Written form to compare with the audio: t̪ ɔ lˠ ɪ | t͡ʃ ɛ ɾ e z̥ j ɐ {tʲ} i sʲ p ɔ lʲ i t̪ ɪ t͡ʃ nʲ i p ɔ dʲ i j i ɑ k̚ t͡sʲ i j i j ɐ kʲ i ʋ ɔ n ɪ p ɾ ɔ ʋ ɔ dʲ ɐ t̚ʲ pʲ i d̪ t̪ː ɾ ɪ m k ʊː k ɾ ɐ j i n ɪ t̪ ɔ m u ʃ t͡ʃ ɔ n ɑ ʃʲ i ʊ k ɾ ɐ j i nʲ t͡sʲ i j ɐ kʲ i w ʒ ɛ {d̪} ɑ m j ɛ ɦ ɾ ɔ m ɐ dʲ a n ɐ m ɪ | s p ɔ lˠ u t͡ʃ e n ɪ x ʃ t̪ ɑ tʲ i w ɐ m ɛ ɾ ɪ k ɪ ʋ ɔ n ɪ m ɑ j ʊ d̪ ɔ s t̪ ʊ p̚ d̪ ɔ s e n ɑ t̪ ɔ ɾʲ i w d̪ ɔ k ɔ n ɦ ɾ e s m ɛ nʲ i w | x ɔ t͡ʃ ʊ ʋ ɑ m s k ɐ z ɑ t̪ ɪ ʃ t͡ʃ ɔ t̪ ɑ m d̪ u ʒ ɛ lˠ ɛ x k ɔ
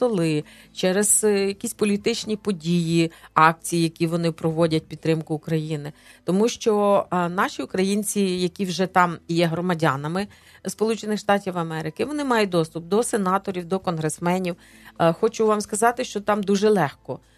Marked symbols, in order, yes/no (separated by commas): no, no